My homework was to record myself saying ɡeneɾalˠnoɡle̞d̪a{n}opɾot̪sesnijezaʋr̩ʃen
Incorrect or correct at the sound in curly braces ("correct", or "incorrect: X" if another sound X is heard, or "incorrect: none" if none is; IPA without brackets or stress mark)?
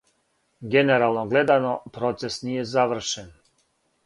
correct